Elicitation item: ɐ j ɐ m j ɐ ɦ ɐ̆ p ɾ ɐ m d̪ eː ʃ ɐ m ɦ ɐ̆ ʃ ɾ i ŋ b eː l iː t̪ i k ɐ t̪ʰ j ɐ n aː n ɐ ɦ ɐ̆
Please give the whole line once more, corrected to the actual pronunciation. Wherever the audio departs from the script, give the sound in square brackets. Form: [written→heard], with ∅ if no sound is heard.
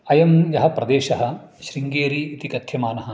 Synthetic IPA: ɐ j ɐ m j ɐ ɦ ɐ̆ p ɾ ɐ [m→∅] d̪ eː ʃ ɐ [m→∅] ɦ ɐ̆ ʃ ɾ i ŋ [b→ɡ] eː [l→ɾ] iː t̪ i k ɐ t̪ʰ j ɐ [n→m] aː n ɐ ɦ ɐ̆